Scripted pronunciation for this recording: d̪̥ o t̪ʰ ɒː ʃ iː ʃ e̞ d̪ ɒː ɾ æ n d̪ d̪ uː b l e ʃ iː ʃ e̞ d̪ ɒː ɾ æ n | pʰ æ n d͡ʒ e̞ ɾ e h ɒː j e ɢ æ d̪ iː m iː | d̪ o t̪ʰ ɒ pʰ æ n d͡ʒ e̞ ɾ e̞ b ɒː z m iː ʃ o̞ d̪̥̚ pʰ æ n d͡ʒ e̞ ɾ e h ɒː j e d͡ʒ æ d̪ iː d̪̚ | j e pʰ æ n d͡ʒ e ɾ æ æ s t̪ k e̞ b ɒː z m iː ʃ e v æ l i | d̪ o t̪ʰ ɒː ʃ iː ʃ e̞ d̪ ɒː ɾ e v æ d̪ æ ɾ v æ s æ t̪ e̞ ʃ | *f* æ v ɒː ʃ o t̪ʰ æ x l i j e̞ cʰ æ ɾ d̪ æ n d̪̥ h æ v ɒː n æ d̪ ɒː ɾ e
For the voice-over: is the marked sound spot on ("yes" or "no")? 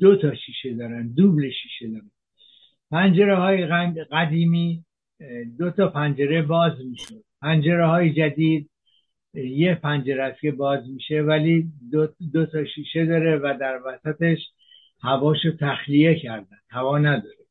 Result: no